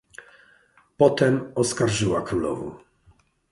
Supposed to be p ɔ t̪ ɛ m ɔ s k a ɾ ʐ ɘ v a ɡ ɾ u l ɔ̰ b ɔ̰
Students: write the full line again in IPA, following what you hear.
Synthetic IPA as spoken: p ɔ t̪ ɛ m ɔ s k a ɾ ʐ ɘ w a k ɾ u l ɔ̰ v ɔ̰